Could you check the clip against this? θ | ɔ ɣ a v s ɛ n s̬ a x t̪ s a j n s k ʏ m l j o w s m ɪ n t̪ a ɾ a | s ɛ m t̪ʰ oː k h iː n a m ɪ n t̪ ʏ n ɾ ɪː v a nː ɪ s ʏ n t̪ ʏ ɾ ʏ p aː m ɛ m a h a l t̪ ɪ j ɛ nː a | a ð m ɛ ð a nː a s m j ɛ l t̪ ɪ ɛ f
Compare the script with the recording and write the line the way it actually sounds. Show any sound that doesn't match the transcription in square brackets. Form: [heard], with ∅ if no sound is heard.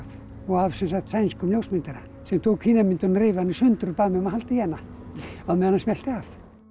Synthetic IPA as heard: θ | ɔ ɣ a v s ɛ n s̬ a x t̪ s a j n s k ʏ m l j o w s m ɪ n t̪ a ɾ a | s ɛ m t̪ʰ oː k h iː n a m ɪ n t̪ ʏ n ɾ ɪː v a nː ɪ s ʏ n t̪ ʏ ɾ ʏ p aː m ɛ m a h a l t̪ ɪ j ɛ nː a | a ð m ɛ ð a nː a s m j ɛ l t̪ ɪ [a] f

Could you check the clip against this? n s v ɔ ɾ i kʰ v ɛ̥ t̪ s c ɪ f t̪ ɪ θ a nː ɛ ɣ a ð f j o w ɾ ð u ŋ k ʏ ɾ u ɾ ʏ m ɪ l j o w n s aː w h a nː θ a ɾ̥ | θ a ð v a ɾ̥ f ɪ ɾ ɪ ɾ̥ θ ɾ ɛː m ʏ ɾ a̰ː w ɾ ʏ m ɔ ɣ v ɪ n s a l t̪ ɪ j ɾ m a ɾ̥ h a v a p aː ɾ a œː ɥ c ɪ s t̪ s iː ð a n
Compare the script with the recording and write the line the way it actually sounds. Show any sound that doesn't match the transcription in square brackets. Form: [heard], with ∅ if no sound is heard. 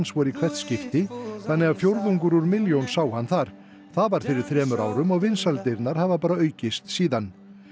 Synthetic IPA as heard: n s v ɔ ɾ i kʰ v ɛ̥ t̪ s c ɪ f t̪ ɪ θ a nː ɛ ɣ a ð f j o w ɾ ð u ŋ k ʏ ɾ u ɾ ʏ m ɪ l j o w n s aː w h a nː θ a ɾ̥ | θ a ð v a ɾ̥ f ɪ ɾ ɪ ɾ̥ θ ɾ ɛː m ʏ ɾ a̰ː w ɾ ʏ m ɔ ɣ v ɪ n s a l t̪ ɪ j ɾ [n] a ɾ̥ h a v a p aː ɾ a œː ɥ c ɪ s t̪ s iː ð a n

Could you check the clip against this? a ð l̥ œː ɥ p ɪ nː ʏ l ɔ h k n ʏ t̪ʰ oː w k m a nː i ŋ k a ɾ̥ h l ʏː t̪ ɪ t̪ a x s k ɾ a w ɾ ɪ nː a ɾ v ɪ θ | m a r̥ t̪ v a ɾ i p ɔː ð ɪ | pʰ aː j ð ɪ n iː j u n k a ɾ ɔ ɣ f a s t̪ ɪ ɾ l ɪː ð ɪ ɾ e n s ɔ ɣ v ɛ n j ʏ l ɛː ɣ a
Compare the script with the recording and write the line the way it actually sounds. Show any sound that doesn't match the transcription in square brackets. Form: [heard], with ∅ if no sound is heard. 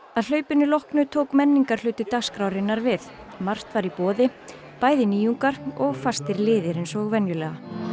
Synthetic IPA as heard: a ð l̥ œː ɥ p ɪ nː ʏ l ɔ h k n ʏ t̪ʰ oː w k m [ɛ] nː i ŋ k a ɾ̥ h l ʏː t̪ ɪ t̪ a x s k ɾ a w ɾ ɪ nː a ɾ v ɪ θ | m a r̥ t̪ v a ɾ i p ɔː ð ɪ | [p] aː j ð ɪ n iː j u [ŋ] k a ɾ ɔ ɣ f a s t̪ ɪ ɾ l ɪː ð ɪ ɾ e n s ɔ ɣ v ɛ n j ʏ l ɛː ɣ a

